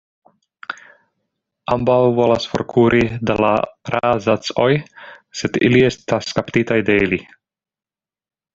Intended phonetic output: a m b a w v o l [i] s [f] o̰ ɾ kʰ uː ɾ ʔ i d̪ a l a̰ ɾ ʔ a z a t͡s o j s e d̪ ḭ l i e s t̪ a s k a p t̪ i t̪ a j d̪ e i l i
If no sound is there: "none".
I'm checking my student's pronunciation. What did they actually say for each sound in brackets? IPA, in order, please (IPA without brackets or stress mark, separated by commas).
a, f